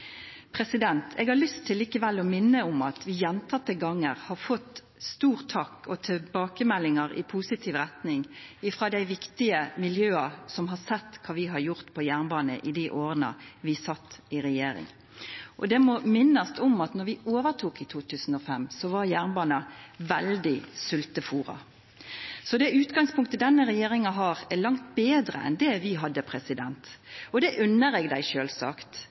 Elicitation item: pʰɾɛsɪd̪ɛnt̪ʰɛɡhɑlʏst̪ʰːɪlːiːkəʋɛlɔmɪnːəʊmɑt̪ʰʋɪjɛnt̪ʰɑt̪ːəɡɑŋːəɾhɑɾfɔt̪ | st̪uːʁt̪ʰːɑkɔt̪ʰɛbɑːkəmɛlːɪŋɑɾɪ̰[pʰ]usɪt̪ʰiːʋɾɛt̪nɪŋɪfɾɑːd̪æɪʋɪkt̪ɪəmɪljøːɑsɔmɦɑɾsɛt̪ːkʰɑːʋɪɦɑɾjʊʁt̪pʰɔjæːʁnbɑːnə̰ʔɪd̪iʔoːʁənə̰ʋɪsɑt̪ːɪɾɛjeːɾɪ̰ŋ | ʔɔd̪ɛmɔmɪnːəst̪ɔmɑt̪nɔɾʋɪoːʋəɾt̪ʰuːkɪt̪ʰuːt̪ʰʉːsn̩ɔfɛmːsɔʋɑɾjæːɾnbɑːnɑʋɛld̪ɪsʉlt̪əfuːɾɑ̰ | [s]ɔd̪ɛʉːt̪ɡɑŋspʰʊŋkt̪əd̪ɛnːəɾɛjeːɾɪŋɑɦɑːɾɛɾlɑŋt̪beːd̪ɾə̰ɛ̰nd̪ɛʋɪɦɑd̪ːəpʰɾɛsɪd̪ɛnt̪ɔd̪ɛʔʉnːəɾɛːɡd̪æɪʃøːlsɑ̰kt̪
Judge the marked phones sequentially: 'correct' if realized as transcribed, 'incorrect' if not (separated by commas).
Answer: correct, correct